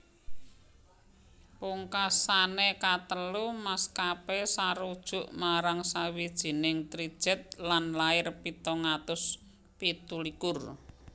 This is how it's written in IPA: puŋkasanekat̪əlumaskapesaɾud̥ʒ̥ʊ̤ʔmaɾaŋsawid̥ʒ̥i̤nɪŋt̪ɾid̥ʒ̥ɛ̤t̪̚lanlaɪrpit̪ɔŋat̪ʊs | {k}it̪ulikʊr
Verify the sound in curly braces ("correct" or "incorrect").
incorrect